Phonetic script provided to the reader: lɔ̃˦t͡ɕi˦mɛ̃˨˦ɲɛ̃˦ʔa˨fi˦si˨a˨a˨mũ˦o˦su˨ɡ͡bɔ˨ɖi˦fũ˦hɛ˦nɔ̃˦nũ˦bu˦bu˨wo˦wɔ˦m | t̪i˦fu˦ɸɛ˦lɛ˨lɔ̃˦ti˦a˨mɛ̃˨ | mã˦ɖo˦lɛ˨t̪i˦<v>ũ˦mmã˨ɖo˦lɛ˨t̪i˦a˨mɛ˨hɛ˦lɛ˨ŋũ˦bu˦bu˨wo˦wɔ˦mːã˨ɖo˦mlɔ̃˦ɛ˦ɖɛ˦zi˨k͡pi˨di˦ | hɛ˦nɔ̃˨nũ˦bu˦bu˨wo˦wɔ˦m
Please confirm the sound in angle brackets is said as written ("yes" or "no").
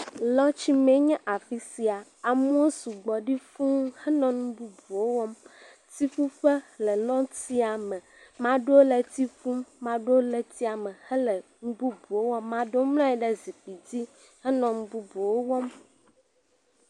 no